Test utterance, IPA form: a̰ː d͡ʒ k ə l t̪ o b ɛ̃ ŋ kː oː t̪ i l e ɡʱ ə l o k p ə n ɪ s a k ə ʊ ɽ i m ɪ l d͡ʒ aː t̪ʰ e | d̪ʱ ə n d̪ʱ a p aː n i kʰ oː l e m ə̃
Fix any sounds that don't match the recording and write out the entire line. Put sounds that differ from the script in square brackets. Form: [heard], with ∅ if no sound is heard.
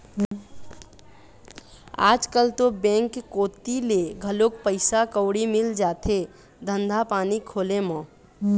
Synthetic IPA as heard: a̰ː d͡ʒ k ə l t̪ o b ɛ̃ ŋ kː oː t̪ i l e ɡʱ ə l o k p ə [∅] ɪ s a k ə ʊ ɽ i m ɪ l d͡ʒ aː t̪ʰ e | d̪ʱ ə n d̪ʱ a p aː n i kʰ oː l e m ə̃

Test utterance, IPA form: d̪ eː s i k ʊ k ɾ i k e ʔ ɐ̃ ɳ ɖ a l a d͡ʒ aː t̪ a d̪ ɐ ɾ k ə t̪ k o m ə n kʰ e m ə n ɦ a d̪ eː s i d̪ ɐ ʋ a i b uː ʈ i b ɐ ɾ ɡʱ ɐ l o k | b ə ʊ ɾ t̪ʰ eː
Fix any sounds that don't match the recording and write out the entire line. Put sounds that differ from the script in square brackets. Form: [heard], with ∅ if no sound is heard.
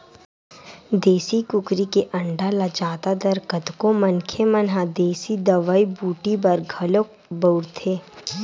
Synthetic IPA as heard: d̪ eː s i k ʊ k ɾ i k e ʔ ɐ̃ ɳ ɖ a l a d͡ʒ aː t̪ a d̪ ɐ ɾ k ə t̪ k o m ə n kʰ e m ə n ɦ a d̪ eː s i d̪ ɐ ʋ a i b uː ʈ i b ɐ ɾ ɡʱ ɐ l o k | b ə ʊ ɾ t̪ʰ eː

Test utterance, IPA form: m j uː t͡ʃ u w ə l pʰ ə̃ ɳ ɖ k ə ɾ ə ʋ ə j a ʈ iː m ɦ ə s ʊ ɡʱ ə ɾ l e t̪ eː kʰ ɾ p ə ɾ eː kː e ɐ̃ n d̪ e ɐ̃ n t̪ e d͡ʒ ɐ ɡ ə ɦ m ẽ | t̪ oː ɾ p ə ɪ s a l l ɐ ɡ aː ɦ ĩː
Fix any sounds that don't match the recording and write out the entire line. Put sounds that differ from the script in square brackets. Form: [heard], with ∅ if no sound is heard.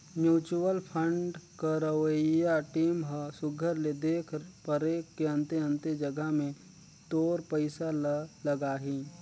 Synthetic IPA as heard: m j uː t͡ʃ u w ə l pʰ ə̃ ɳ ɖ k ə ɾ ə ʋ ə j a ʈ iː m ɦ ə s ʊ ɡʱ ə ɾ l e [d̪] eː kʰ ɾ p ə ɾ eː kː e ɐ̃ n [t̪] e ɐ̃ n t̪ e d͡ʒ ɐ ɡ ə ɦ m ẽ | t̪ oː ɾ p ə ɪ s a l l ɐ ɡ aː ɦ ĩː

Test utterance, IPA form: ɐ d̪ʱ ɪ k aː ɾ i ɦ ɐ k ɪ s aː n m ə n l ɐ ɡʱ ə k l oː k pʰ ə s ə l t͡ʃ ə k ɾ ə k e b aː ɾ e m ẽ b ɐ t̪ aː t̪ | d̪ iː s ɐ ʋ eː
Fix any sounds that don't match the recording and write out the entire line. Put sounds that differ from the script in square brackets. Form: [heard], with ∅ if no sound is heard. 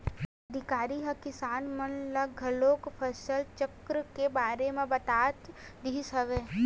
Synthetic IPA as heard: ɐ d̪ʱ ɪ k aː ɾ i ɦ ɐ k ɪ s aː n m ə n l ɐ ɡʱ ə [∅] l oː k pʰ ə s ə l t͡ʃ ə k ɾ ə k e b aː ɾ e m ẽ b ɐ t̪ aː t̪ | d̪ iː s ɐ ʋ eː

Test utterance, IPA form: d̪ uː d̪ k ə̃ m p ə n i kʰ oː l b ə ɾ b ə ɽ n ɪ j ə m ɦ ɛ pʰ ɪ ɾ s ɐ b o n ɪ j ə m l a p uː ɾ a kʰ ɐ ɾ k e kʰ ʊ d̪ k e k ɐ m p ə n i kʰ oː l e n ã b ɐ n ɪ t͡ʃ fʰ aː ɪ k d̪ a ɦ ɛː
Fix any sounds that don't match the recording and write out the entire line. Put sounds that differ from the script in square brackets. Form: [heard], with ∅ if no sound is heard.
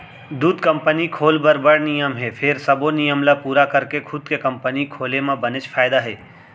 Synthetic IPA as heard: d̪ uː d̪ k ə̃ m p ə n i kʰ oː l b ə ɾ b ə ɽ n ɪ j ə m ɦ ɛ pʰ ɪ ɾ s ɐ b o n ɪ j ə m l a p uː ɾ a [k] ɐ ɾ k e kʰ ʊ d̪ k e k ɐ m p ə n i kʰ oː l e [m] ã b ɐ n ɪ t͡ʃ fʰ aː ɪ [∅] d̪ a ɦ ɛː

